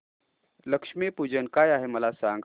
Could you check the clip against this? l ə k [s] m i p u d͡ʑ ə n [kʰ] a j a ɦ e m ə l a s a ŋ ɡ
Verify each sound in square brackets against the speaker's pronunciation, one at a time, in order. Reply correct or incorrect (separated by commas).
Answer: incorrect, incorrect